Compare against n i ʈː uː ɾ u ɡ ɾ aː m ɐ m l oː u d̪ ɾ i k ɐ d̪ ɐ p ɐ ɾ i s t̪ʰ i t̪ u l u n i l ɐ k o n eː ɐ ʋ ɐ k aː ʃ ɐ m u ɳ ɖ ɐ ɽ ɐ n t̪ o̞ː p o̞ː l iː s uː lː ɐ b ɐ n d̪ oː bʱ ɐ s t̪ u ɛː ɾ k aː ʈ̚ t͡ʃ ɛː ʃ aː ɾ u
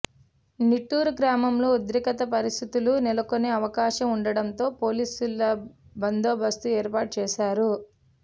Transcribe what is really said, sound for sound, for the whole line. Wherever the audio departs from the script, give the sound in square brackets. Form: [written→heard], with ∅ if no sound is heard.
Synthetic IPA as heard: n i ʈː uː ɾ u ɡ ɾ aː m ɐ m l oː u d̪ ɾ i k ɐ [d̪→t̪] ɐ p ɐ ɾ i s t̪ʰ i t̪ u l u n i l ɐ k o n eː ɐ ʋ ɐ k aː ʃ ɐ m u ɳ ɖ ɐ ɽ ɐ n t̪ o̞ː p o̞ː l iː s [uː→u] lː ɐ b ɐ n d̪ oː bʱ ɐ s t̪ u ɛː ɾ [k→p] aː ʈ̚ t͡ʃ ɛː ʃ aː ɾ u